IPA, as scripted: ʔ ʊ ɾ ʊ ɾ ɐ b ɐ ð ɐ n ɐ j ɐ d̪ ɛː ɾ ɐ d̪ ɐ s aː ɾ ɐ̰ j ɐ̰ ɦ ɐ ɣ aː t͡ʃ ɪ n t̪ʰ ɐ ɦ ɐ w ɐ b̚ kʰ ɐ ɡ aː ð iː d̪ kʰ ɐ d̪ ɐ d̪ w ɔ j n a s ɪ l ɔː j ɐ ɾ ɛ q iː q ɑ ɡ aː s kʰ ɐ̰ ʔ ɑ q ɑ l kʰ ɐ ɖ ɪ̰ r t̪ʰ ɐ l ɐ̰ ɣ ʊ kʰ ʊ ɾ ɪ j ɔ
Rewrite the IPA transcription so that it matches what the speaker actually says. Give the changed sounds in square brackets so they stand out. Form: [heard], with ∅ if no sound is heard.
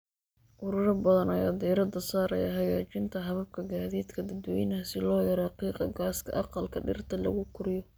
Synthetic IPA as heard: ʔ ʊ ɾ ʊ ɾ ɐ b ɐ ð ɐ n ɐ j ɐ d̪ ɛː ɾ ɐ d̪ ɐ s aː ɾ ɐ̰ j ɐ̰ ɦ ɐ ɣ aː t͡ʃ ɪ n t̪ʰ ɐ ɦ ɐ [β] ɐ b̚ kʰ ɐ ɡ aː ð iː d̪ kʰ ɐ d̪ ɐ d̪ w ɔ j n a s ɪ l ɔː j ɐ ɾ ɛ q iː q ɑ ɡ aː s kʰ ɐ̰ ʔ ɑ q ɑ l kʰ ɐ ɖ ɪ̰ r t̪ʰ ɐ l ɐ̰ ɣ ʊ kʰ ʊ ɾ ɪ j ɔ